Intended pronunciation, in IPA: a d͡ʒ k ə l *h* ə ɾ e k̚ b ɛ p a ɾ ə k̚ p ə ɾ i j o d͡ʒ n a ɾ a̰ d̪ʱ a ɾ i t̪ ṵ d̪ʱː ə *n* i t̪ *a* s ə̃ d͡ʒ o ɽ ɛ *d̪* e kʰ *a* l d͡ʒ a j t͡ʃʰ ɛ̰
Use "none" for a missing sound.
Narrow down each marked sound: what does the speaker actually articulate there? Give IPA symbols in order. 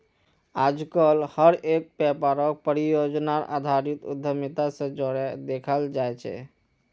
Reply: h, m, a, d̪, ə

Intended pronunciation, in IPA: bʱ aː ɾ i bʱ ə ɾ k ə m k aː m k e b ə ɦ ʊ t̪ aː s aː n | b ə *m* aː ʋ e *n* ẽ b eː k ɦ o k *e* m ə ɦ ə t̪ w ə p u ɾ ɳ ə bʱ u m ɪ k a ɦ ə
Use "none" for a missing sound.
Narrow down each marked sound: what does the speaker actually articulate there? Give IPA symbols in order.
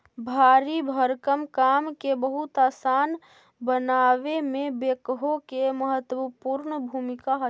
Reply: n, m, e

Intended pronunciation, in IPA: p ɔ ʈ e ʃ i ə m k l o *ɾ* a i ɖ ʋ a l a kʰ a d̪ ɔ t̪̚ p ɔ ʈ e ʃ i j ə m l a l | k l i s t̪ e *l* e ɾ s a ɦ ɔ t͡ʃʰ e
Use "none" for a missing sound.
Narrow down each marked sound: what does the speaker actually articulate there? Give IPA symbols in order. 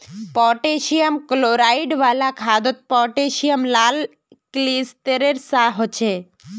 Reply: ɾ, ɾ

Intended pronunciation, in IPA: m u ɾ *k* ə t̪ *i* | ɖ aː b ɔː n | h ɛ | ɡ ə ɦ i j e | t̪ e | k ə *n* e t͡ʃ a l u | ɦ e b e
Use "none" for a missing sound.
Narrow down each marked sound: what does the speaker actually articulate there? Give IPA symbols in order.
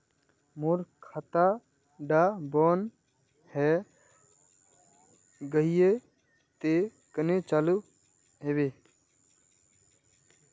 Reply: kʰ, a, n

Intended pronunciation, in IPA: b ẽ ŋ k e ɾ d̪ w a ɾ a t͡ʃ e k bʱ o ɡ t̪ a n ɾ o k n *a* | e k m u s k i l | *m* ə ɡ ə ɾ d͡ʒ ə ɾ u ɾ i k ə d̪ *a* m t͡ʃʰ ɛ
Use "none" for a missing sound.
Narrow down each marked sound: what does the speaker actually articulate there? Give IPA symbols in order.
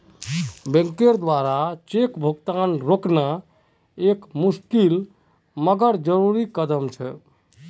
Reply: a, m, ə

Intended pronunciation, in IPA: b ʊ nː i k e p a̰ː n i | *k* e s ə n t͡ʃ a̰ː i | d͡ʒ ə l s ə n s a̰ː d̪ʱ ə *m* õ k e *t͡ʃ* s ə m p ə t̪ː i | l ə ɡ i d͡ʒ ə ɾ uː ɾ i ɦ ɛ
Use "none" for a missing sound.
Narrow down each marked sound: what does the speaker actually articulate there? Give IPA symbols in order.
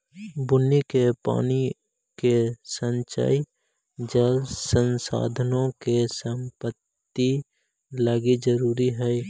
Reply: k, n, none

